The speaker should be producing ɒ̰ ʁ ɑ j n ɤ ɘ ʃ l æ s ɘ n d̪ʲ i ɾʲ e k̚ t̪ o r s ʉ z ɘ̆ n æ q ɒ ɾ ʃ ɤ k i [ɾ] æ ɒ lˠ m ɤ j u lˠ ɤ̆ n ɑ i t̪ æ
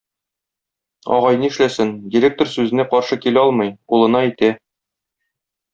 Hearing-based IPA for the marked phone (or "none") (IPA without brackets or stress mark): l